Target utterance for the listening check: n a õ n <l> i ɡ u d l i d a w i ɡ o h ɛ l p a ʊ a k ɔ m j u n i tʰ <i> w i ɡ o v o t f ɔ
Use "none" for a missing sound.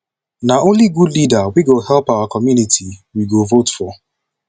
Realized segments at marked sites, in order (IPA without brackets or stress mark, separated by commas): l, i